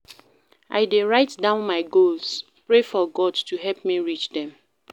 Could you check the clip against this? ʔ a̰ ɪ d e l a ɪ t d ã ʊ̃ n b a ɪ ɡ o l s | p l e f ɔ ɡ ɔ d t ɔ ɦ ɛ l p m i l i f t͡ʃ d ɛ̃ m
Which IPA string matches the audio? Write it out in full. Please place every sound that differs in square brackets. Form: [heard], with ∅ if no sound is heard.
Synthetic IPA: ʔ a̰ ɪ d e [ɹ] a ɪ t d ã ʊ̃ n [m] a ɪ ɡ o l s | p [ɹ] e f ɔ ɡ ɔ d t [u] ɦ ɛ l p m i [ɹ] i [∅] t͡ʃ d ɛ̃ m